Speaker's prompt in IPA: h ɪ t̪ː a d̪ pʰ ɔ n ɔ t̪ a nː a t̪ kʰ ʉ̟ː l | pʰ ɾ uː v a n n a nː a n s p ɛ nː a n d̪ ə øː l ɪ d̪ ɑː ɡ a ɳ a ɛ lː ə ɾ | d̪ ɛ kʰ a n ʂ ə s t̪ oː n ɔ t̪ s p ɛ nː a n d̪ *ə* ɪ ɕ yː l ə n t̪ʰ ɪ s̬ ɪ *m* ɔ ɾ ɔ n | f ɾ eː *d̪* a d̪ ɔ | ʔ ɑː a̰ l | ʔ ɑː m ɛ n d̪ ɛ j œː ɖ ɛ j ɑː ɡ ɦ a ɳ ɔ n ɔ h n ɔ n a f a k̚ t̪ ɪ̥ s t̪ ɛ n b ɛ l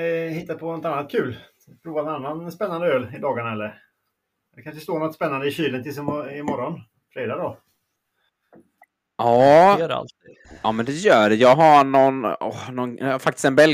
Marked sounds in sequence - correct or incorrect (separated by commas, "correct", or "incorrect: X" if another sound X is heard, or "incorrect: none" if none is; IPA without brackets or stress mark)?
correct, correct, correct